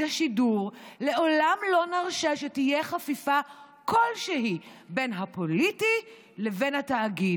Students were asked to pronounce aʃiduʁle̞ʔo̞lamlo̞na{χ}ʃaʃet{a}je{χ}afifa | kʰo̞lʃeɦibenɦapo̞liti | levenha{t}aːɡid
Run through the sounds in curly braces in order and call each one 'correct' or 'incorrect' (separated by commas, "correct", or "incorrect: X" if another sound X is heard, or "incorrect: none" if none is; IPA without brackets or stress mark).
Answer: incorrect: ʁ, incorrect: i, correct, correct